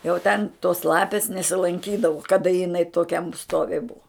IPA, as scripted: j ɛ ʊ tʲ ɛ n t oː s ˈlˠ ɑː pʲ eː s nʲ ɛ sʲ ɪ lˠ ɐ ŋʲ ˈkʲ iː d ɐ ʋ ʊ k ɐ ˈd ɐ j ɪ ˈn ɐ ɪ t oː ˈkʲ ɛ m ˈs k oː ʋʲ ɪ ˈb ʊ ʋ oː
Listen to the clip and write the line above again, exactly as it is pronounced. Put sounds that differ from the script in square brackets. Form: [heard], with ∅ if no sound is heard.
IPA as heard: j ɛ ʊ tʲ ɛ n t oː s ˈlˠ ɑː pʲ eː s nʲ ɛ sʲ ɪ lˠ ɐ ŋʲ ˈkʲ iː d ɐ ʋ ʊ k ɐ ˈd ɐ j ɪ ˈn ɐ ɪ t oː ˈkʲ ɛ m ˈs [t] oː ʋʲ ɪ ˈb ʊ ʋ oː